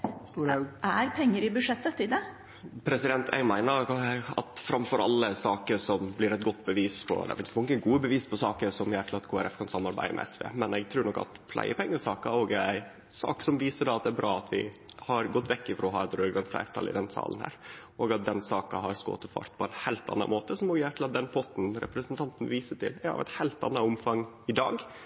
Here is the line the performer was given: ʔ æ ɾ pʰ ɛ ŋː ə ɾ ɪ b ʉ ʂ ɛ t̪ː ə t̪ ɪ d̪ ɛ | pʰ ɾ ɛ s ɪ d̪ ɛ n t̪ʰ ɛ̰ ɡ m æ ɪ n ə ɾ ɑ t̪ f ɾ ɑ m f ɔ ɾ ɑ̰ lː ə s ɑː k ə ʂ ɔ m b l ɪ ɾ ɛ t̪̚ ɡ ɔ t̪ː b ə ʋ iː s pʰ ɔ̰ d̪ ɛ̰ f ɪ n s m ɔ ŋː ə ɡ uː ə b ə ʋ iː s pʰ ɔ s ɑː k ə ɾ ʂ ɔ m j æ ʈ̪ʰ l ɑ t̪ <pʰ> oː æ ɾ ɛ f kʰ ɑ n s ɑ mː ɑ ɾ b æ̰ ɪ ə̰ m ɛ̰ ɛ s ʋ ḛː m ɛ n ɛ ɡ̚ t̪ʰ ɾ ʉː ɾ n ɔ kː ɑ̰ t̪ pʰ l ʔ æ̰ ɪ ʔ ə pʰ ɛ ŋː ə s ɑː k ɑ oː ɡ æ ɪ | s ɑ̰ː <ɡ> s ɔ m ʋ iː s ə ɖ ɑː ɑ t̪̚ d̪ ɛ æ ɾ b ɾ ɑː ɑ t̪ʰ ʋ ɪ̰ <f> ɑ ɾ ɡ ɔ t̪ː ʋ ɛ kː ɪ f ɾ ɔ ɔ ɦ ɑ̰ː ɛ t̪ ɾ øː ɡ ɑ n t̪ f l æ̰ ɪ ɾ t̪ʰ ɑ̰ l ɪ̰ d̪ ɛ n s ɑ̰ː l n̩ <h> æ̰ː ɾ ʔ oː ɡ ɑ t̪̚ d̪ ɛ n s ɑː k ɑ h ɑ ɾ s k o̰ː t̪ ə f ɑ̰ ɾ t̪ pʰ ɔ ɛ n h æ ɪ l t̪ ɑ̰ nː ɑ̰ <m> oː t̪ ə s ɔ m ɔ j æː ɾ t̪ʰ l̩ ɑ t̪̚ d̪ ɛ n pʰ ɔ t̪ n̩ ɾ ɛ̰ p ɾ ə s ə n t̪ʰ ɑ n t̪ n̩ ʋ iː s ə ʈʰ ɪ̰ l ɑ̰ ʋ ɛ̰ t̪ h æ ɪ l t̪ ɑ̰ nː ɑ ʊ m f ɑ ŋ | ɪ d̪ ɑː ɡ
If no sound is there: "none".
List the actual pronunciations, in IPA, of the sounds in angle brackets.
kʰ, k, h, h, m

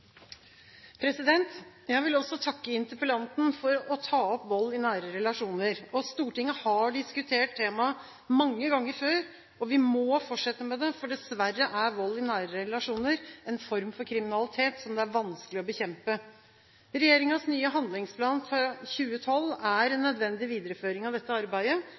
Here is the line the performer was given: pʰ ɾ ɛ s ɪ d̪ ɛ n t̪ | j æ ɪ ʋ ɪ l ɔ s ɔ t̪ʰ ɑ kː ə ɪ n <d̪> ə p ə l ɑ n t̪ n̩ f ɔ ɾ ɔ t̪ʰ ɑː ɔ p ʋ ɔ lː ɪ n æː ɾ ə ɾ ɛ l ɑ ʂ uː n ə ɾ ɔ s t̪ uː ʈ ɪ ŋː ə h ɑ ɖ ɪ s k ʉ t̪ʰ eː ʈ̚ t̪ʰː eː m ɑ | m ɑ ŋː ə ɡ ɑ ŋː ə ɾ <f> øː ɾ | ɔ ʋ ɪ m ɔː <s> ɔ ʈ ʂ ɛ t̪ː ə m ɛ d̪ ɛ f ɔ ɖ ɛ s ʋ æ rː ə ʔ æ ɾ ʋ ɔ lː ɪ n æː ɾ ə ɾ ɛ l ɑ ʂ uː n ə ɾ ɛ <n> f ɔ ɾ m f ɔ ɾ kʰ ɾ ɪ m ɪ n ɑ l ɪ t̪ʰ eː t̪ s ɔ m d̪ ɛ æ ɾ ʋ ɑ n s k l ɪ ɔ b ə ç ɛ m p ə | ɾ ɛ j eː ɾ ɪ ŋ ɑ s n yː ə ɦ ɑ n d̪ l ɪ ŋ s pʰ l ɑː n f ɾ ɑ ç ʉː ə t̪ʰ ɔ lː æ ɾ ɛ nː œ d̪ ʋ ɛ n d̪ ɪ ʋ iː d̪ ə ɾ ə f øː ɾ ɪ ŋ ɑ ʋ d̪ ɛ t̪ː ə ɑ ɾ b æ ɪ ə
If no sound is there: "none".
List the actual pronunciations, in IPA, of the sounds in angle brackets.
t̪, f, f, n

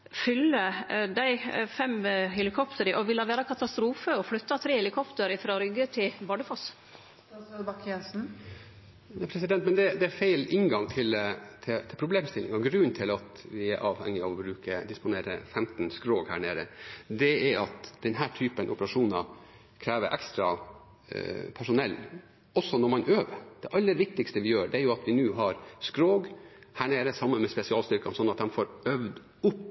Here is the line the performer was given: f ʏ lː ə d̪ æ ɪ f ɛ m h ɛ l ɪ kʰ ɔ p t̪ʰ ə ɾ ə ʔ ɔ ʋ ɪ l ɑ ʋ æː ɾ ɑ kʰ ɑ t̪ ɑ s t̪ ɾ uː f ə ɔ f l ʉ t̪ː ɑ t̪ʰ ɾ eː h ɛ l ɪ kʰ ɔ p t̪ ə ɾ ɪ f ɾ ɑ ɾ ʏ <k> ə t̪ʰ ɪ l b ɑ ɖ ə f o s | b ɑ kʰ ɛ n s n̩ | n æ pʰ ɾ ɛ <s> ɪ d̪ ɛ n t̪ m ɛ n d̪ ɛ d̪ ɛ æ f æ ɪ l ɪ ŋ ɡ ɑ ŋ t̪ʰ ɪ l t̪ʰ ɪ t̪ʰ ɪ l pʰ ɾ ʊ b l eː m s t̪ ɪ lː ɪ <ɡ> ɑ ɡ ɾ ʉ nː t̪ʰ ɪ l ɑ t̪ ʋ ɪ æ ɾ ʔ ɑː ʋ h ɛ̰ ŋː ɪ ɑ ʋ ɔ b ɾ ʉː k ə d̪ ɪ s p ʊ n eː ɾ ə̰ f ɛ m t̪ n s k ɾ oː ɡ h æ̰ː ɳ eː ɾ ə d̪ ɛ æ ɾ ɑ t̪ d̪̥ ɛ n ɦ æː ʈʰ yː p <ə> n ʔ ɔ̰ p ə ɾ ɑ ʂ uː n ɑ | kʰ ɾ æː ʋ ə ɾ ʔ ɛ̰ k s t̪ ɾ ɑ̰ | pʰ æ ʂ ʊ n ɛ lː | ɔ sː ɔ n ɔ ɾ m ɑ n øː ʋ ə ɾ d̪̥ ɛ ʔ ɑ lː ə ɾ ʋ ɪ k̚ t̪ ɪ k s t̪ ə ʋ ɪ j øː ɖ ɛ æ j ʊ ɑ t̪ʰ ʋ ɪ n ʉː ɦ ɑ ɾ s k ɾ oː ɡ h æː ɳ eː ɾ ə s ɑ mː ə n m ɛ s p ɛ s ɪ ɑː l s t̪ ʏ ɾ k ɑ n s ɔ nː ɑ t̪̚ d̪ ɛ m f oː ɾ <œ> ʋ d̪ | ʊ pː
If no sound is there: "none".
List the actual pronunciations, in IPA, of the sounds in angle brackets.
ɡ, s, ŋ, ə, œ

